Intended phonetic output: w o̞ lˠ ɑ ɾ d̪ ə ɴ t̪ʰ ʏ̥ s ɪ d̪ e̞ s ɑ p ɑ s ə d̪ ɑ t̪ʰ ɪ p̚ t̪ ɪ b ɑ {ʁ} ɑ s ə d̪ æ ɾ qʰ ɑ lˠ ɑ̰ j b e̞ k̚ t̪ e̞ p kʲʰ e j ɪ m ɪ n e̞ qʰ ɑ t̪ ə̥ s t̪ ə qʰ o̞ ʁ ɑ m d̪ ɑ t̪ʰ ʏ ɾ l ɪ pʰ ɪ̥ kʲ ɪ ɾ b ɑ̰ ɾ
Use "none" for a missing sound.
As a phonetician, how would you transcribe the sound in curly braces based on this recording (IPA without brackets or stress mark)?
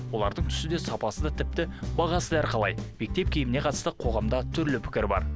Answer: ʁ